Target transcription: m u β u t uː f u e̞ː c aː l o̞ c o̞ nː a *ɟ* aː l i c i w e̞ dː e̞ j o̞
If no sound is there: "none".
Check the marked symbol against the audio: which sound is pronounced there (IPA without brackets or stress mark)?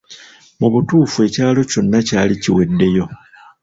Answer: c